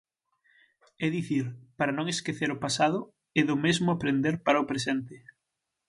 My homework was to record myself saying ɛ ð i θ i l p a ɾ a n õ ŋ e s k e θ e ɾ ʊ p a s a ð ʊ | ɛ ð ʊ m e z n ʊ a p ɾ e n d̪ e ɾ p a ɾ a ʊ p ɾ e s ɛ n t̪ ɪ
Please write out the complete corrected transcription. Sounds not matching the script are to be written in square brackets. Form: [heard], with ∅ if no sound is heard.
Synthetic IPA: ɛ ð i θ i [ɾ] p a ɾ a n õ ŋ e s k e θ e ɾ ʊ p a s a ð ʊ | ɛ ð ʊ m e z [m] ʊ a p ɾ e n d̪ e ɾ p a ɾ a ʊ p ɾ e s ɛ n t̪ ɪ